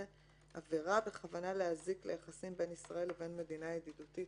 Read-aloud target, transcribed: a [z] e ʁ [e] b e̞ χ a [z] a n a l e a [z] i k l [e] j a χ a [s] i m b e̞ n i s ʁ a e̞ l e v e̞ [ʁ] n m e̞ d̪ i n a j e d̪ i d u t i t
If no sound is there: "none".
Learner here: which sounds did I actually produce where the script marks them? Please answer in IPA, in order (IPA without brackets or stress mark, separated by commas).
v, a, v, z, e, s, none